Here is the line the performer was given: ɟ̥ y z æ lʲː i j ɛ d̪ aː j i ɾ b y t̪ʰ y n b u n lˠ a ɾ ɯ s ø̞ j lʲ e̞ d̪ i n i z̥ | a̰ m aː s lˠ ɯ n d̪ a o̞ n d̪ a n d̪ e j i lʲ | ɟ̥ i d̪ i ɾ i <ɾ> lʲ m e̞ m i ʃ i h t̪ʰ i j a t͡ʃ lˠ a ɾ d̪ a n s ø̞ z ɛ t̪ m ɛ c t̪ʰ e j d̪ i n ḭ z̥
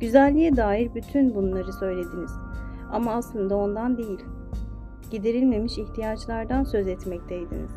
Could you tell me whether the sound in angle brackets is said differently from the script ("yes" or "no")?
yes